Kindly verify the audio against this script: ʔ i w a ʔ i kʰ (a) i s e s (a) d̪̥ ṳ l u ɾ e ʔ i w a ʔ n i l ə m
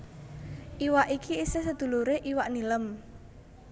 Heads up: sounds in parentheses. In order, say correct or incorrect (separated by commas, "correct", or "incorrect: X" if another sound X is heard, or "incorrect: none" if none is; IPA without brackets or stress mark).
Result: incorrect: i, incorrect: ə